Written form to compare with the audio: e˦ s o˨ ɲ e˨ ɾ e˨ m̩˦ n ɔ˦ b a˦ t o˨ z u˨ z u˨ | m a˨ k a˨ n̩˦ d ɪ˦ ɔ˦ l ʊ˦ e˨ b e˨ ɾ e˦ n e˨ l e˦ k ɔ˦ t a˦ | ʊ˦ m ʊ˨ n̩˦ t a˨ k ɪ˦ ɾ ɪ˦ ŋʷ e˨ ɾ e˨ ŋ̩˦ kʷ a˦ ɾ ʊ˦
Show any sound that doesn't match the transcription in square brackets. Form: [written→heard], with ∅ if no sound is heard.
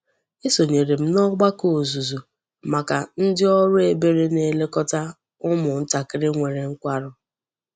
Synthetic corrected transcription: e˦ s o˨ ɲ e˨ ɾ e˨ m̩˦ n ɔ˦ [b→ɡ͡b] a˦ [t→k] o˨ z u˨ z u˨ | m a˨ k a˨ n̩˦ d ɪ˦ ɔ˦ [l→ɾ] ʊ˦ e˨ b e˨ ɾ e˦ n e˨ l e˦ k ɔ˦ t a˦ | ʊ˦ m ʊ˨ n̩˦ t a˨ k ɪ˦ ɾ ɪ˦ ŋʷ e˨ ɾ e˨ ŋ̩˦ kʷ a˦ ɾ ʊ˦

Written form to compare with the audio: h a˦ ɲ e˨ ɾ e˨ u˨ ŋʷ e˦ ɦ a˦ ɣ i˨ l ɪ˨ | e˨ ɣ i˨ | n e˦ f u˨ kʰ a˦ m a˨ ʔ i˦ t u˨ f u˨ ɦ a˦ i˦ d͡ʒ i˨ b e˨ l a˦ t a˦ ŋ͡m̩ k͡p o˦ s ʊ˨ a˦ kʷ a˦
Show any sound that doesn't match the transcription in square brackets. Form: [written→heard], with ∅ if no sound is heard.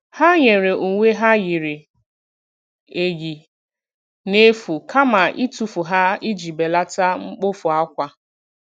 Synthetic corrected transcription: h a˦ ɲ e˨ ɾ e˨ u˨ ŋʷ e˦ ɦ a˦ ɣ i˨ [l→ɾ] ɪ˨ | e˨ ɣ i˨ | n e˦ f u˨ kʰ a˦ m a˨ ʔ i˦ t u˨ f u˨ ɦ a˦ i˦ d͡ʒ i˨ b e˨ l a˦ t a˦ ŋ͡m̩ k͡p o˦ [s→f] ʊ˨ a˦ kʷ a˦

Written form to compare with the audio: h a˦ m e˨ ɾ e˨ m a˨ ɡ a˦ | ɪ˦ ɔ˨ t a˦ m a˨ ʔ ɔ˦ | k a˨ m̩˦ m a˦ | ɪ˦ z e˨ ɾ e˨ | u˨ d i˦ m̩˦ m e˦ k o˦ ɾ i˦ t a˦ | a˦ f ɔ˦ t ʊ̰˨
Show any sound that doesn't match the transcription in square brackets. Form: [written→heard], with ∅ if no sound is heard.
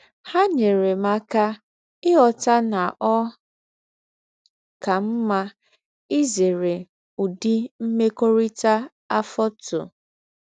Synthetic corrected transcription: h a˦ [m→ɲ] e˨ ɾ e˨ m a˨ [ɡ→k] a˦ | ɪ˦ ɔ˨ t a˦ [m→n] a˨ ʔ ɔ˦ | k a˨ m̩˦ m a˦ | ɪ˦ z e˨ ɾ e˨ | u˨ d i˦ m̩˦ m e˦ k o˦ ɾ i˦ t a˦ | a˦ f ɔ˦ t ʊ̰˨

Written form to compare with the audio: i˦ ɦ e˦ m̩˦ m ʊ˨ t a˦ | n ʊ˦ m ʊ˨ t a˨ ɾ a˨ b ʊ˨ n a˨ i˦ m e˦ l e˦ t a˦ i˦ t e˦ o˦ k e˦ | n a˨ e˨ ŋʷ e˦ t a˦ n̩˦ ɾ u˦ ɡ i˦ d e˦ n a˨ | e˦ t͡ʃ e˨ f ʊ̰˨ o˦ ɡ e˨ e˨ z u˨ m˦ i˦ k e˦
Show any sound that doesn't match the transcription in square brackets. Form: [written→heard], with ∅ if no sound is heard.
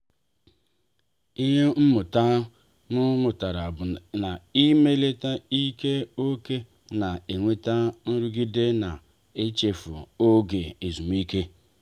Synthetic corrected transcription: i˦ ɦ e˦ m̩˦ m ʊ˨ t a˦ | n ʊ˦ m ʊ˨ t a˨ ɾ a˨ b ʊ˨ n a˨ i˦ m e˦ l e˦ t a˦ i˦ [t→k] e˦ o˦ k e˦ | n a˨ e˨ ŋʷ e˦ t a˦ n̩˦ ɾ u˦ ɡ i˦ d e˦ n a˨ | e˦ t͡ʃ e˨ f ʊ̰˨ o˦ ɡ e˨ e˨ z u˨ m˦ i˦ k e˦

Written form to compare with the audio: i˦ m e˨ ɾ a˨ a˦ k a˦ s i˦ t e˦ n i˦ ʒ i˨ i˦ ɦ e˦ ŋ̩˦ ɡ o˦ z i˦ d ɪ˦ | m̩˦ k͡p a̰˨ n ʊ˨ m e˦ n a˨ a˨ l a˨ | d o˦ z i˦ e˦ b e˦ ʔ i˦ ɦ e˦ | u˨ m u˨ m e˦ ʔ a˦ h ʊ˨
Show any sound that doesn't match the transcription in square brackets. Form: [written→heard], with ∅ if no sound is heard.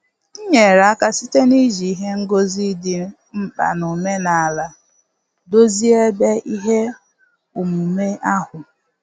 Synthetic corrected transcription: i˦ [m→ɲ] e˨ ɾ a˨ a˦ k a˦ s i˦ t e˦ n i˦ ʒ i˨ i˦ ɦ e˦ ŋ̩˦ ɡ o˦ z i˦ d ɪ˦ | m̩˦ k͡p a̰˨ n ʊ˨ m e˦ n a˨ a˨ l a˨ | d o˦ z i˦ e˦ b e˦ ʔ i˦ ɦ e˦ | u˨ m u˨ m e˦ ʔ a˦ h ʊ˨

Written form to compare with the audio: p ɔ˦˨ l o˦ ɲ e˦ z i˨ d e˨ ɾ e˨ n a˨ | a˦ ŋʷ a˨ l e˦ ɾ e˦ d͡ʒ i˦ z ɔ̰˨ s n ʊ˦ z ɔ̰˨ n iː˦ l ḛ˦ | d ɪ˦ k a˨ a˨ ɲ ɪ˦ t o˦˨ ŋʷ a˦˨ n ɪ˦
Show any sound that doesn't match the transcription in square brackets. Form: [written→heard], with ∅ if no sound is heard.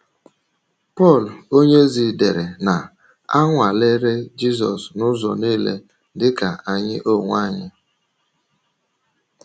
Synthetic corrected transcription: p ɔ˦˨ l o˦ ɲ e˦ z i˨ d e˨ ɾ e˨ n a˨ | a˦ ŋʷ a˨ l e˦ ɾ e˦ d͡ʒ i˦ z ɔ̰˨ s n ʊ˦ z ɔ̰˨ n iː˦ l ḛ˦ | d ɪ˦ k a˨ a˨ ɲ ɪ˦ [t→ʔ] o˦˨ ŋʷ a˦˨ [n→ɲ] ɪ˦

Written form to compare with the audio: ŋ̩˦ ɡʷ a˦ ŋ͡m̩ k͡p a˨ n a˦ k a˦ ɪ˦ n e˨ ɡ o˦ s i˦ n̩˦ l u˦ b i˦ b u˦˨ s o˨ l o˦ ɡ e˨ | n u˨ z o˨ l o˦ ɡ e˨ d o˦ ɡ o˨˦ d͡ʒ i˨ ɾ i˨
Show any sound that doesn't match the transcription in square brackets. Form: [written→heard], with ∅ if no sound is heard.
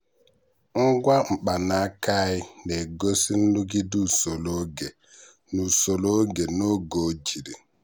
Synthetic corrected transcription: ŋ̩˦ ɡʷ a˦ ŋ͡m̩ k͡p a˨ n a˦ k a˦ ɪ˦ n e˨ ɡ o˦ s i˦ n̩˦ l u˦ [b→ɡ] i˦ [b→d] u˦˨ s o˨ l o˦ ɡ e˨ | n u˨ [z→s] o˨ l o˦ ɡ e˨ [d→n] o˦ ɡ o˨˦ d͡ʒ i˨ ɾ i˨

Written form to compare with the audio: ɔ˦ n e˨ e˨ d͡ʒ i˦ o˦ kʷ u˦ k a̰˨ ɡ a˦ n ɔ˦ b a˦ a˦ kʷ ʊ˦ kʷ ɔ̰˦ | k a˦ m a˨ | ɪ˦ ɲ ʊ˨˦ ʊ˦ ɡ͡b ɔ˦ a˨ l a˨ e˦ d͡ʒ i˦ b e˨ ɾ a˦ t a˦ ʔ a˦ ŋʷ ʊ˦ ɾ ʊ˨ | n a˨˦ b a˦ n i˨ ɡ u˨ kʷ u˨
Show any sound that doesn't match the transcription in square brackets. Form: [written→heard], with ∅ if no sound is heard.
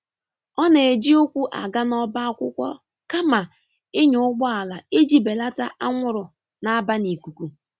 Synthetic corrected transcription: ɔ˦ n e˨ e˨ d͡ʒ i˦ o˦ kʷ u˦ [k→ʔ] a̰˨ ɡ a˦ n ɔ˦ b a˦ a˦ kʷ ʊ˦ kʷ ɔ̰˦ | k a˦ m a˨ | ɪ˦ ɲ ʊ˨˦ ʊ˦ ɡ͡b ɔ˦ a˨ l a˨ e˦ d͡ʒ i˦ b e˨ [ɾ→l] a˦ t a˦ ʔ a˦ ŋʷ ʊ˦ ɾ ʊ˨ | n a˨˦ b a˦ n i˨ [ɡ→k] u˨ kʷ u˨

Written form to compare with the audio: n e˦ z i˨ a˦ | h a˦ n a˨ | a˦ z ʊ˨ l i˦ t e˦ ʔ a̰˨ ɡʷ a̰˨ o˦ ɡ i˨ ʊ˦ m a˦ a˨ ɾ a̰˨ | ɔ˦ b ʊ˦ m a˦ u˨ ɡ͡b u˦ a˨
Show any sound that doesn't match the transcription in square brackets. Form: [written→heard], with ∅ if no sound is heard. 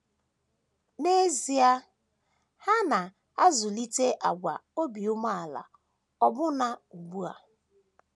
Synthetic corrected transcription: n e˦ z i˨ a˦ | h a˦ n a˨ | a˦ z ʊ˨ l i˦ t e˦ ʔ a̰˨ ɡʷ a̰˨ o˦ [ɡ→b] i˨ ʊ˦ m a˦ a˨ [ɾ→l] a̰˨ | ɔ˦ b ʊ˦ [m→n] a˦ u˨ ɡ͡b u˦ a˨

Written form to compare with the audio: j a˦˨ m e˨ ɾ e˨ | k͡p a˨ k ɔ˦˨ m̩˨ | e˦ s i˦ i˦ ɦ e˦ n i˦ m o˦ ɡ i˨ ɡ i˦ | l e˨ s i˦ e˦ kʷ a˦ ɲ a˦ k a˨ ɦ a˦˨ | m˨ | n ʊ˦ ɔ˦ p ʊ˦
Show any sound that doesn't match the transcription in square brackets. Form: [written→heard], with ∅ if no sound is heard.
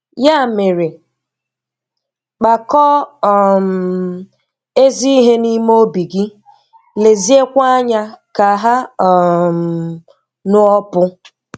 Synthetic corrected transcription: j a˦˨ m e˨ ɾ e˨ | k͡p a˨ k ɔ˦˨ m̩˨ | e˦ [s→z] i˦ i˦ ɦ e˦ n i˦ m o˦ [ɡ→b] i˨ ɡ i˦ | l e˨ [s→z] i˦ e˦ kʷ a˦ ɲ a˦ k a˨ ɦ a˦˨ | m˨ | n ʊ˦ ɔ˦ p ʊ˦

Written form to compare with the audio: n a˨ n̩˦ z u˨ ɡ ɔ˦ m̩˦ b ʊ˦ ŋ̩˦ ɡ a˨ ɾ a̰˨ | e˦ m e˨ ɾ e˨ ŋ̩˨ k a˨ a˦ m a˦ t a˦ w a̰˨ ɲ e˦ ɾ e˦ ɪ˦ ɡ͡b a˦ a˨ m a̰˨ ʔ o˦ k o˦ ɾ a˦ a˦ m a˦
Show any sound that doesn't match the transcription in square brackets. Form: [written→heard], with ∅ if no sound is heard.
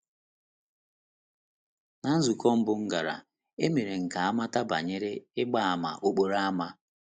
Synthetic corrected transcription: n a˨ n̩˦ z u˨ [ɡ→k] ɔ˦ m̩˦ b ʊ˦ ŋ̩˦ ɡ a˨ ɾ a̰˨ | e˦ m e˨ ɾ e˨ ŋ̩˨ k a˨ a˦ m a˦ t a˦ [w→b] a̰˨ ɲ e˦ ɾ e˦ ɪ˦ ɡ͡b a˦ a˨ m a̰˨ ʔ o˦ [k→k͡p] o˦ ɾ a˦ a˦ m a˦

